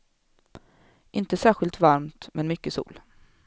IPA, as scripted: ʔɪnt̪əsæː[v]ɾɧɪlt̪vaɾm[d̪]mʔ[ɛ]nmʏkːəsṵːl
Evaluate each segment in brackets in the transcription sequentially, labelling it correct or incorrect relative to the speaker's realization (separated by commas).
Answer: incorrect, incorrect, correct